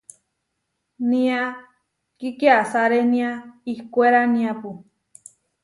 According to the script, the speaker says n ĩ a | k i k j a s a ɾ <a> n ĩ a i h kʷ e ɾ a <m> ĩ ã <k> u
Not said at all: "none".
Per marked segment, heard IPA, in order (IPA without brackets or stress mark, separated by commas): e, n, p